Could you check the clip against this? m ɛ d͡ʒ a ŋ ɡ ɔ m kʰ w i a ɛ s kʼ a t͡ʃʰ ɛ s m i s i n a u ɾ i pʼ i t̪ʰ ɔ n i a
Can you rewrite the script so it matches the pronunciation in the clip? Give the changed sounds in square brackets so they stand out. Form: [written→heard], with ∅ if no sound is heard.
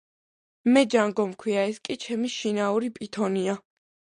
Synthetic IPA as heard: m ɛ d͡ʒ a ŋ ɡ ɔ m kʰ w i a ɛ s kʼ [a→i] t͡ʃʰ ɛ [s→∅] m i [s→ʃ] i n a u ɾ i pʼ i t̪ʰ ɔ n i a